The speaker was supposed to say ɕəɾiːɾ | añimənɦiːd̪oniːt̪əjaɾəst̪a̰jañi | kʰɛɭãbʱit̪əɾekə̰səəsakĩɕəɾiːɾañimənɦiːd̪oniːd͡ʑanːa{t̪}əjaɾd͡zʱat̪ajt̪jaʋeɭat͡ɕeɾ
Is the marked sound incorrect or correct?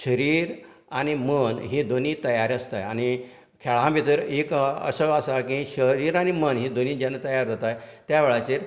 correct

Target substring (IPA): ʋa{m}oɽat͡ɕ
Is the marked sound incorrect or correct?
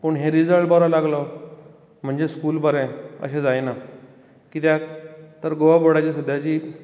incorrect: b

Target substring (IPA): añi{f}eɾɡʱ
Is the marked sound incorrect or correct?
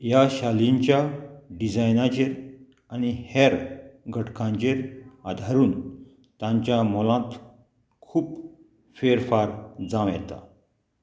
incorrect: h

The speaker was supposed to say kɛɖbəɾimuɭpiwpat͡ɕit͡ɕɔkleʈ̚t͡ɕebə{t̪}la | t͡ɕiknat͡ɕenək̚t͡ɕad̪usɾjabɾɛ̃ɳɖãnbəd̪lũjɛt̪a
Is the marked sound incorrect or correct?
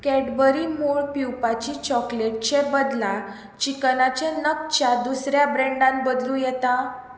incorrect: d̪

